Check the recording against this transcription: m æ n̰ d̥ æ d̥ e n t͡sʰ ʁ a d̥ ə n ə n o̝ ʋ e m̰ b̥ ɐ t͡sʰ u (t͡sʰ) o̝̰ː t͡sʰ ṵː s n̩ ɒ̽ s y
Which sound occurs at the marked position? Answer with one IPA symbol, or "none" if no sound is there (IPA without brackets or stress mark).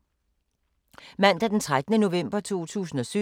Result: none